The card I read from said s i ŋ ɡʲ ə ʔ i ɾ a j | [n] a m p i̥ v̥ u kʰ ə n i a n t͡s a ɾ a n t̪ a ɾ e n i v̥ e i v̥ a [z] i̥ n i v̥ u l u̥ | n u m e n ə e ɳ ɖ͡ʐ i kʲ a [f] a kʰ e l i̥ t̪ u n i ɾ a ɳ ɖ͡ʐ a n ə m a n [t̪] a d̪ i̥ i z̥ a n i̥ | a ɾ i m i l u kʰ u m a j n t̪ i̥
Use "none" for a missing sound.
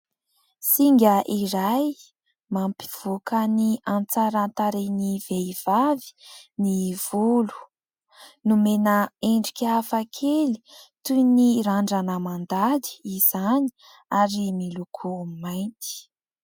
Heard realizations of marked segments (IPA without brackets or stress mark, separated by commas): m, v, f, d̪